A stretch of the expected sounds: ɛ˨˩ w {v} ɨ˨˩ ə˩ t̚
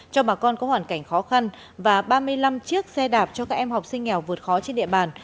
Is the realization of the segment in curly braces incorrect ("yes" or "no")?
no